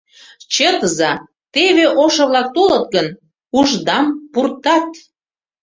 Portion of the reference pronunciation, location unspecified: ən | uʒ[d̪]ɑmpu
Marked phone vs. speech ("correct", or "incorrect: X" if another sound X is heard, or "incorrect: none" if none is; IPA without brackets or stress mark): correct